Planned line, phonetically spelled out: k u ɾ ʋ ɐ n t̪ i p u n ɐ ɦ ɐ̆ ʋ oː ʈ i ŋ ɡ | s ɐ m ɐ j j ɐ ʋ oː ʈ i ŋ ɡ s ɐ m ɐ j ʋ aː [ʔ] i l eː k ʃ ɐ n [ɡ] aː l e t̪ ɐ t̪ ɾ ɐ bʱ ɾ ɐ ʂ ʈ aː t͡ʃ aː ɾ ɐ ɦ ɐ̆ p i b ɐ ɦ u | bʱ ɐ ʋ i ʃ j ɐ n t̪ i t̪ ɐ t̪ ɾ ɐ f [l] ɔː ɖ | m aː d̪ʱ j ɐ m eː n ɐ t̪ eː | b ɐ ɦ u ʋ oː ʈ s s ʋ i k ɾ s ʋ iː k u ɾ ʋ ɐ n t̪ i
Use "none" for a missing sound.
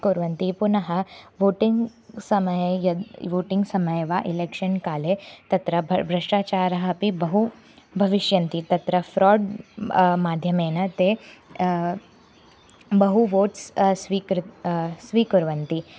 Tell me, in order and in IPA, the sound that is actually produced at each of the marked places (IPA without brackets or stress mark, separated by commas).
ʔ, k, ɾ